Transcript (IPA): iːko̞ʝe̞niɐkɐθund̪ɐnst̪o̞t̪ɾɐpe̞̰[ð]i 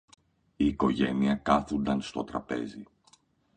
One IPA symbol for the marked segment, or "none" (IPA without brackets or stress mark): z